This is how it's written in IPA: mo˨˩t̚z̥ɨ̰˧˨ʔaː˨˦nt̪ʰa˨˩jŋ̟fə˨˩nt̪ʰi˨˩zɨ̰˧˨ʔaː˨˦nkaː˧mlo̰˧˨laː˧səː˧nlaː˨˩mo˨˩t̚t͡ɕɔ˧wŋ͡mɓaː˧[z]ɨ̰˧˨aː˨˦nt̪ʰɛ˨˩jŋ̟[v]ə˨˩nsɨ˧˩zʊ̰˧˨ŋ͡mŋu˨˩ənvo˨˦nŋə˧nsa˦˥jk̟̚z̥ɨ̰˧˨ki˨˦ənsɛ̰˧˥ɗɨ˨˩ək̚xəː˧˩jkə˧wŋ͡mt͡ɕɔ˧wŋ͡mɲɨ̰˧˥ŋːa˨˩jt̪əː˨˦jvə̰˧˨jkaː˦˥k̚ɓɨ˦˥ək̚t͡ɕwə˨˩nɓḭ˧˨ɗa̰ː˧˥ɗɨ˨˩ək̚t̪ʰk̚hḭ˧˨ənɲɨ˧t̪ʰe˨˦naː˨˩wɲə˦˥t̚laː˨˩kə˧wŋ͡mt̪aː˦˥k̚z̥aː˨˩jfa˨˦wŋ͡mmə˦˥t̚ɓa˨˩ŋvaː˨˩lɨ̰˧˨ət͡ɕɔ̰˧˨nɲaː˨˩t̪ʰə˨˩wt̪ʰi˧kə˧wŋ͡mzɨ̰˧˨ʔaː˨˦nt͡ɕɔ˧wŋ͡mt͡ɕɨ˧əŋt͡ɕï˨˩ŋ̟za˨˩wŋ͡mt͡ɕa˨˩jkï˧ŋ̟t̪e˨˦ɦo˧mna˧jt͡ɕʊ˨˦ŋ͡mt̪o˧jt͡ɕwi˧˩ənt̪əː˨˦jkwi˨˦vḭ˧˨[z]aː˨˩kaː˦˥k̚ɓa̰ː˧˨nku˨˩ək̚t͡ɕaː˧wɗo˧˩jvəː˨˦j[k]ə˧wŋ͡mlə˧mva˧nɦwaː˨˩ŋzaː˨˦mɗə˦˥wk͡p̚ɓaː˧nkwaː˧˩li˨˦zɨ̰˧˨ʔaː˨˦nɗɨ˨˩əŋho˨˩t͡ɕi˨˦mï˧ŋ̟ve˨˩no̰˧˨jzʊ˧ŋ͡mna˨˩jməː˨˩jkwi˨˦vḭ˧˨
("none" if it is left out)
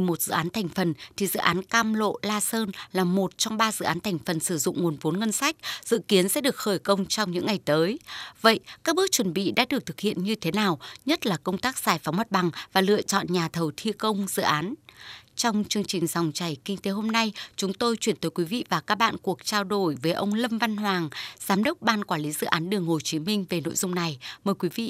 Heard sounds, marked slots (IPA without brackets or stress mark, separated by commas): z, f, v, ʔ